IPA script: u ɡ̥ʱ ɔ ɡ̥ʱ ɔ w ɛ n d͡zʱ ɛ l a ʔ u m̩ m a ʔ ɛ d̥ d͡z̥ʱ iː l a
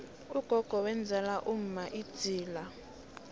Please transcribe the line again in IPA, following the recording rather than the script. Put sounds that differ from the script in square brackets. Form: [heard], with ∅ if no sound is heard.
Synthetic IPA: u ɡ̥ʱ ɔ ɡ̥ʱ ɔ w ɛ n d͡zʱ ɛ l a ʔ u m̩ m a ʔ [i] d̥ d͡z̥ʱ iː l a